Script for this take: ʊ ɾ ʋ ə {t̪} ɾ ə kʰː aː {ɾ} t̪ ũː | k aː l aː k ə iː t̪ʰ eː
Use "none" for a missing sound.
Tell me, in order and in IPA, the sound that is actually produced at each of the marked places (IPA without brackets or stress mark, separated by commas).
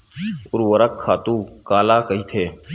none, none